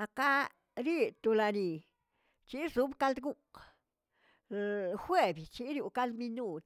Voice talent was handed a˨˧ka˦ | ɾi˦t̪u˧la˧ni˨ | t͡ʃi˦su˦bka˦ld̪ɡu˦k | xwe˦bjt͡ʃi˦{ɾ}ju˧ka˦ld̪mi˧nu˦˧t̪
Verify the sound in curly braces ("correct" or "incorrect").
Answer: correct